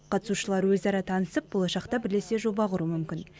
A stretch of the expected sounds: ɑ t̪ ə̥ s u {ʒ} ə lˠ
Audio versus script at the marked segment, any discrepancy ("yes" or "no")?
yes